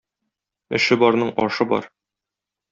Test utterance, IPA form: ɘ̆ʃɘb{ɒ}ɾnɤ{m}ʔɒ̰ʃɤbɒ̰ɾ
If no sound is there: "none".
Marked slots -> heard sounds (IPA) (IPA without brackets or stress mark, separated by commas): ɒ, ɴ